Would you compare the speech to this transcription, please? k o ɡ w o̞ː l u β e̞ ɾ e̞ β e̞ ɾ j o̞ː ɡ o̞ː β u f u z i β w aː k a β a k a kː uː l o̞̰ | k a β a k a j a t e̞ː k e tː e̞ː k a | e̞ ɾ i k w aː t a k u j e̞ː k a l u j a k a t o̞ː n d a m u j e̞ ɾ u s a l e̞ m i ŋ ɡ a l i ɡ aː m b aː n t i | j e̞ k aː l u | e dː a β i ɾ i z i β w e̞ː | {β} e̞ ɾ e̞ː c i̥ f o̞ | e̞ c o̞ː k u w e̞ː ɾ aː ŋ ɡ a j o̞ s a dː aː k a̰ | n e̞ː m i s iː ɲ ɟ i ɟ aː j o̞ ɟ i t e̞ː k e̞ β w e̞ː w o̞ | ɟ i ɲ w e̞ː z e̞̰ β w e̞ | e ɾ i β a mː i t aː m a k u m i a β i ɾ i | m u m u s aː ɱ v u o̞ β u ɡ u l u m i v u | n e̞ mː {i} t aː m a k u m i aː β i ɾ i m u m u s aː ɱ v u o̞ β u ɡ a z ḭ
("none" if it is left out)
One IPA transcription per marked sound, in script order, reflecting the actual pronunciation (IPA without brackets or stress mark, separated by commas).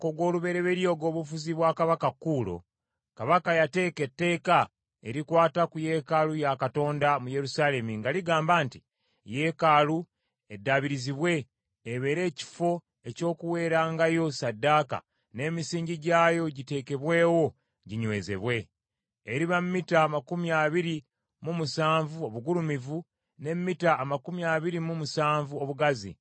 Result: β, i